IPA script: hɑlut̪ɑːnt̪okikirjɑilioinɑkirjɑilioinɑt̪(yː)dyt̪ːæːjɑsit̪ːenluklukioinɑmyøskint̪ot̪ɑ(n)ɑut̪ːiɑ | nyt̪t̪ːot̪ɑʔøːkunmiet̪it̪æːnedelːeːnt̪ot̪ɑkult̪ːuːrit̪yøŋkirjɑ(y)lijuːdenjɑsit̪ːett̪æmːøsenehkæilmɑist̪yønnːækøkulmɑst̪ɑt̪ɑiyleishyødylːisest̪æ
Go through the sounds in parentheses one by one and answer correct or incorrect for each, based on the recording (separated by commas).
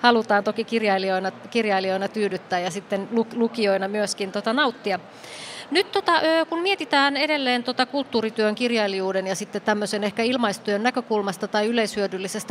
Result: correct, correct, incorrect